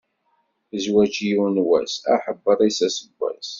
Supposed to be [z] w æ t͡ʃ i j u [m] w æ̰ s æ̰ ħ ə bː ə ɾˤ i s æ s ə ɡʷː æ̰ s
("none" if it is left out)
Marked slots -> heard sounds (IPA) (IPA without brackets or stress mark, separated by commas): z, n